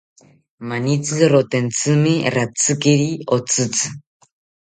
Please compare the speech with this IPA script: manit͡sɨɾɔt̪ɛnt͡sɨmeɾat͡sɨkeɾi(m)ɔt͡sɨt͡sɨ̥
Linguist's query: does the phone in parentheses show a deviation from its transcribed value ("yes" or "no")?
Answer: yes